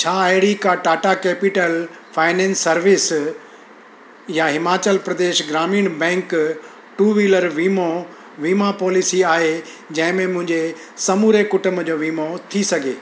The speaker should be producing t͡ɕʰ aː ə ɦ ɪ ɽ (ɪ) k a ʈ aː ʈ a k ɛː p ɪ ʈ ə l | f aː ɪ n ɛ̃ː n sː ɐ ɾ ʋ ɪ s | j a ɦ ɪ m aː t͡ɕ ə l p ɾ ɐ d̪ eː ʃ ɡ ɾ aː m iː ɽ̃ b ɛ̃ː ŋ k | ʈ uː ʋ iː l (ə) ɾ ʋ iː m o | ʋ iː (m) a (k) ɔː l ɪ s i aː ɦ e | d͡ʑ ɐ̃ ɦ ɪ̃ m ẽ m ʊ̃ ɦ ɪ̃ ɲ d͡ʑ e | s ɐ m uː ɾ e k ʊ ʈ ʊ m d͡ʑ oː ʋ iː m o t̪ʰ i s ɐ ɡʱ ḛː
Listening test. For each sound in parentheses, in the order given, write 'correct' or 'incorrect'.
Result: incorrect: i, correct, correct, incorrect: p

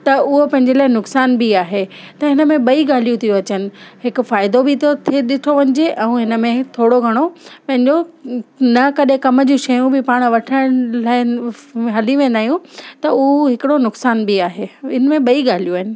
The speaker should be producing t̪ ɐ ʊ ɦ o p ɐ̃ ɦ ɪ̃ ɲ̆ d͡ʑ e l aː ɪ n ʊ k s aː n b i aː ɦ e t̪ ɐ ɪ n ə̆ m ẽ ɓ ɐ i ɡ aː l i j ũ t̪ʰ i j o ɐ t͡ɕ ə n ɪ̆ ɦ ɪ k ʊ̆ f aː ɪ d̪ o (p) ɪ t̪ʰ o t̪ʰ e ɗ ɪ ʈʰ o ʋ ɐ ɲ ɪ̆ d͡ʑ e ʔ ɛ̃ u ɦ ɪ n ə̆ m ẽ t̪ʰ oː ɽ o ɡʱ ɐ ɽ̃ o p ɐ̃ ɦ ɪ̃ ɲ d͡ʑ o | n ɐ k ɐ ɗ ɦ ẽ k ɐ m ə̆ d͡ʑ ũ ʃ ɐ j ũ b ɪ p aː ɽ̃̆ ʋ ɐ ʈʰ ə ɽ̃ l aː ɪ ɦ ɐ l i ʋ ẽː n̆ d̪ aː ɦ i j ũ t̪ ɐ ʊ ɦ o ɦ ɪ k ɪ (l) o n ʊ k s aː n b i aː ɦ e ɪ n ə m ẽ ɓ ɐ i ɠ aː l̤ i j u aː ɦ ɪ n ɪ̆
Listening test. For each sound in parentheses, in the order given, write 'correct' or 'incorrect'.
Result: incorrect: b, incorrect: ɽ

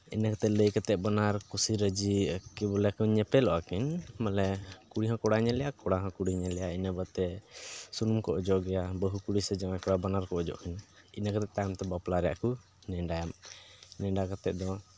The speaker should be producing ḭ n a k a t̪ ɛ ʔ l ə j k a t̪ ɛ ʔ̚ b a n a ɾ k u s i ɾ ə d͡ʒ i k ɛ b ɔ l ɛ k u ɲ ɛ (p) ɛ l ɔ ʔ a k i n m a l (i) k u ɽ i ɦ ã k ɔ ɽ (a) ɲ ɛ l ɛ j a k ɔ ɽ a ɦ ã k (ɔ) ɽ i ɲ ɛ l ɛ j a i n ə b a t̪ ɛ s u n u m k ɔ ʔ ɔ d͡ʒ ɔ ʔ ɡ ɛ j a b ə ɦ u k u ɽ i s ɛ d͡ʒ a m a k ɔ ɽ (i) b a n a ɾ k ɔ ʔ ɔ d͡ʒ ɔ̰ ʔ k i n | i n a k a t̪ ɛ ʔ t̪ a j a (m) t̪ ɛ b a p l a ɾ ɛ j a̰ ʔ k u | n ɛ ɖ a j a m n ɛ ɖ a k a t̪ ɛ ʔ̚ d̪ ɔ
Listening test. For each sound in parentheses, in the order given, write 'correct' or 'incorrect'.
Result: correct, incorrect: ɛ, correct, incorrect: u, incorrect: a, correct

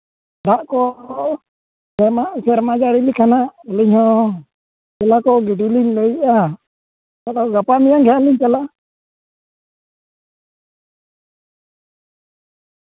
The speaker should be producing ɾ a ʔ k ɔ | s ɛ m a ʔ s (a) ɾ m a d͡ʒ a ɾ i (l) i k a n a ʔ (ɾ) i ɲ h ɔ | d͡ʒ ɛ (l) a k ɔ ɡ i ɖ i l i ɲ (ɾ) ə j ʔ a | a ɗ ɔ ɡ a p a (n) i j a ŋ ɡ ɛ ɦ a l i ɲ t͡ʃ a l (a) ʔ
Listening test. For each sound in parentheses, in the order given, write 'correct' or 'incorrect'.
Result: incorrect: ɛ, correct, incorrect: l, correct, incorrect: l, incorrect: m, correct

